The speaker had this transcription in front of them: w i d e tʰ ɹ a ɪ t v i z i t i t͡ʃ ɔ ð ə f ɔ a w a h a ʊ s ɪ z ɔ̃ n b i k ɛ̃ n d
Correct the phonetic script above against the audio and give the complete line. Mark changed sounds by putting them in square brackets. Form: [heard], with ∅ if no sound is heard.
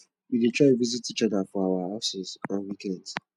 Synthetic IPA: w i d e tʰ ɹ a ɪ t v i z i t i t͡ʃ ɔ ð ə f ɔ a w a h a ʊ s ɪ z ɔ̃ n [w] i k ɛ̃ n d